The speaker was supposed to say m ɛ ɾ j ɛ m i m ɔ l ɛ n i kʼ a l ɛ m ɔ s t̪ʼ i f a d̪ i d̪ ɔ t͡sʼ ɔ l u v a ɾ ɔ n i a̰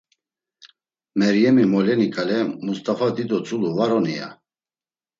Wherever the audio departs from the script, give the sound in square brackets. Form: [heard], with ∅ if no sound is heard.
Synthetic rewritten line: m ɛ ɾ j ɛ m i m ɔ l ɛ n i kʼ a l ɛ m [u] s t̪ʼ [a] f a d̪ i d̪ ɔ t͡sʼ [u] l u v a ɾ ɔ n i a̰